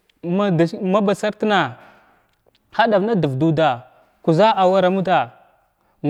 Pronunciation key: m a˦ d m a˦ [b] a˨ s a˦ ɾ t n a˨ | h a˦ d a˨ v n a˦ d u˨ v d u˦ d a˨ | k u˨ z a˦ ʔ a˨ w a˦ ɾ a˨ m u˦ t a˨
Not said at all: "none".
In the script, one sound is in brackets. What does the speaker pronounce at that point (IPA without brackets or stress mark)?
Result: b